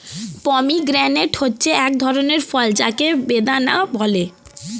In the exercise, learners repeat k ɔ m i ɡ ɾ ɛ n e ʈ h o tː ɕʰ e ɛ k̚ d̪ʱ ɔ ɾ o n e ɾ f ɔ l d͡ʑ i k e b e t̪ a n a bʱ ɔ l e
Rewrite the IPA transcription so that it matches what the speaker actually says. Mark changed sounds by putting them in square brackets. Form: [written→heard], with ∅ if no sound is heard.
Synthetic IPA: [k→p] ɔ m i ɡ ɾ ɛ n e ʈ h o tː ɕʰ e ɛ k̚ d̪ʱ ɔ ɾ o n e ɾ f ɔ l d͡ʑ [i→a] k e b e [t̪→d̪] a n a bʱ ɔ l e